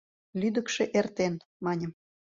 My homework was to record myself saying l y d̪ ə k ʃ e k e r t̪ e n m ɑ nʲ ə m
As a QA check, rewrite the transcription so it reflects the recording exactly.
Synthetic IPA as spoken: l y d̪ ə k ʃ e ʔ e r t̪ e n m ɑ nʲ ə m